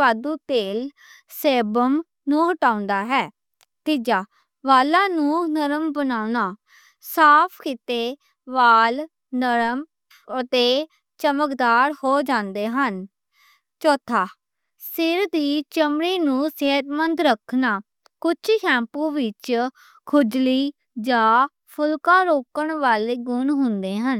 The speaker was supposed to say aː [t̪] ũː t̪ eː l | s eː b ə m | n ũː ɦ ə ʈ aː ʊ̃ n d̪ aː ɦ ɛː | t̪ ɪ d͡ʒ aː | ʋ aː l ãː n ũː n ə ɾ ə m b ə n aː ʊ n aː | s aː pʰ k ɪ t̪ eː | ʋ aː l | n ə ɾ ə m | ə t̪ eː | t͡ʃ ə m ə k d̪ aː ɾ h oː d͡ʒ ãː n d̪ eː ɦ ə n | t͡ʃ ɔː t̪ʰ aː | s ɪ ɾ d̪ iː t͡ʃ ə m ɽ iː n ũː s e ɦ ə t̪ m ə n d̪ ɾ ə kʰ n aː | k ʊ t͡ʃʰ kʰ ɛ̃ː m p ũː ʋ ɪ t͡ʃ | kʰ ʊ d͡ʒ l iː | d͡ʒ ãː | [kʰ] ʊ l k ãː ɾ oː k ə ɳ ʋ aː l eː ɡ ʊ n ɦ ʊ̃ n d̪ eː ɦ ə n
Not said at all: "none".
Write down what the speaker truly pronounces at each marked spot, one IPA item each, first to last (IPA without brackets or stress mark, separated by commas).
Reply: d̪, pʰ